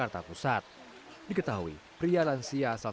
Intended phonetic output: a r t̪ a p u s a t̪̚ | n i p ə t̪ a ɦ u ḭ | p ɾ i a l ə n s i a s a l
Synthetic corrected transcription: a r t̪ a p u s a t̪̚ | d i k ə t̪ a ɦ u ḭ | p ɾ i a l a n s i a s a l